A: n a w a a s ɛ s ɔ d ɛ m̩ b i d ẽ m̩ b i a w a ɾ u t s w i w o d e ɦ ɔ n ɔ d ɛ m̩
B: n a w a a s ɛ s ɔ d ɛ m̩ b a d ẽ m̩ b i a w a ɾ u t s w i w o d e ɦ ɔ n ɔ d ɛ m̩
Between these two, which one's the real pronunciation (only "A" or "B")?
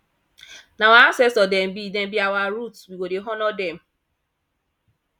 A